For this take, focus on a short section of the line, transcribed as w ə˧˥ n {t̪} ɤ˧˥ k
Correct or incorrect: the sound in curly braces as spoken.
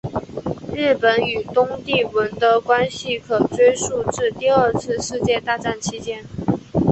correct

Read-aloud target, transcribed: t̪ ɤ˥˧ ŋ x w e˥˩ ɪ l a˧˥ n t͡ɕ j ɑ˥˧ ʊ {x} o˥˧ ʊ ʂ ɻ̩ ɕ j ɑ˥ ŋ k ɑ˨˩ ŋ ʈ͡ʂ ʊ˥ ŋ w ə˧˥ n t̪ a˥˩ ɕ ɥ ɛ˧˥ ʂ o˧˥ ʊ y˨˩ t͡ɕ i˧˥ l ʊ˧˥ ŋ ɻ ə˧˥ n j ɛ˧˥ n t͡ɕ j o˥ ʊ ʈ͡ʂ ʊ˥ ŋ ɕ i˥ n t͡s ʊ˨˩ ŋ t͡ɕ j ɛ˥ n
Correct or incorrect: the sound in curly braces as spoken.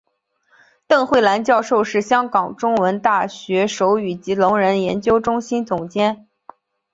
incorrect: ʂ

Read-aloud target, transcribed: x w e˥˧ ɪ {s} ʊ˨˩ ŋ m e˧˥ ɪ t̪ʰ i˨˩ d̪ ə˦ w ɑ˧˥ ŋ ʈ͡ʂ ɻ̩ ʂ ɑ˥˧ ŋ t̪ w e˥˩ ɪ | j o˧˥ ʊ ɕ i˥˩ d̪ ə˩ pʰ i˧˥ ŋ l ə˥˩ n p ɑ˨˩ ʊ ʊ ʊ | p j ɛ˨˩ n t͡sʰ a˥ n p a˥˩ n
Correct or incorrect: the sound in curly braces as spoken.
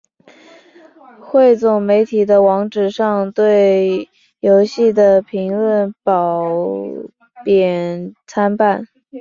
incorrect: t͡s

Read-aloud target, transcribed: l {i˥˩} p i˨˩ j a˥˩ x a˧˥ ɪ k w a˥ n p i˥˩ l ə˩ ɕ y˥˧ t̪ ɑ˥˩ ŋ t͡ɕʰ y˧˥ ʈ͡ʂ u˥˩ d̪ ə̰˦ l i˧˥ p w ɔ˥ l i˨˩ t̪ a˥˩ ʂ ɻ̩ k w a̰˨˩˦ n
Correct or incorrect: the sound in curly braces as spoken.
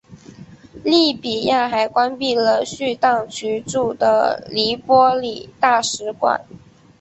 correct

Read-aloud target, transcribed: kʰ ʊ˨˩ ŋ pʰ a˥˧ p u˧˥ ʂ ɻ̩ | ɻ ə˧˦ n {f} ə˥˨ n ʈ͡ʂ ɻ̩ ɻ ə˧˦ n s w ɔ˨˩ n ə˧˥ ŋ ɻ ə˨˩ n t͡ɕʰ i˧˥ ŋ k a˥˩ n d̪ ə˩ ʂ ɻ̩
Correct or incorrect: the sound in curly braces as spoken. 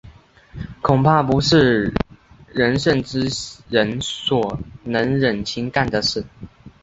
incorrect: ʂ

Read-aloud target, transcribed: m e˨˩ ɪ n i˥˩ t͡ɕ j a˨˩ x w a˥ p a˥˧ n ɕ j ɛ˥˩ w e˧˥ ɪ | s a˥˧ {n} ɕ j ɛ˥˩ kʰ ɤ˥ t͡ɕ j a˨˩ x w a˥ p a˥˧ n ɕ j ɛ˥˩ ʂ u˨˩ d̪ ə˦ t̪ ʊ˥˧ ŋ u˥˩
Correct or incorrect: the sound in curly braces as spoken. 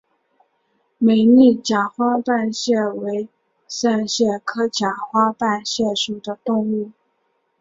correct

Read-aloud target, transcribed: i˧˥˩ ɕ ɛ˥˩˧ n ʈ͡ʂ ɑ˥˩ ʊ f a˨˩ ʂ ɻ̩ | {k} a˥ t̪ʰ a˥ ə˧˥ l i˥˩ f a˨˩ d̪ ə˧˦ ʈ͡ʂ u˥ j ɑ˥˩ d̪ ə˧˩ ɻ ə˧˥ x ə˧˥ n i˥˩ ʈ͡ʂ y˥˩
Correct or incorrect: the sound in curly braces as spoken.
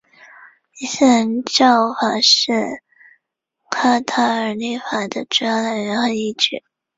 incorrect: kʰ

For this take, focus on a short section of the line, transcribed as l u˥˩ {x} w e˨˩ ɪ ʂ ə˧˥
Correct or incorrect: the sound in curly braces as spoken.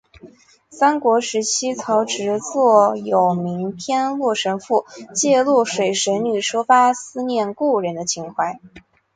incorrect: ʂ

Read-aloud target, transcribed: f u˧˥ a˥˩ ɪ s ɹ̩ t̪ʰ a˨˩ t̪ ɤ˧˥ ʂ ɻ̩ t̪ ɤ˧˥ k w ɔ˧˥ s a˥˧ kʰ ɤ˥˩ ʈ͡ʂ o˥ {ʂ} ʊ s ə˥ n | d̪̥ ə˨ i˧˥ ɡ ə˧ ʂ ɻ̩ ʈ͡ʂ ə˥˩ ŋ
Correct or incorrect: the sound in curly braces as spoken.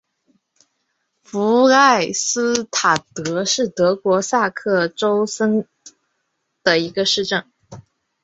incorrect: none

